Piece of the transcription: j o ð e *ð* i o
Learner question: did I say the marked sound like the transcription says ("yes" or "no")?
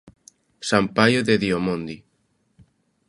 yes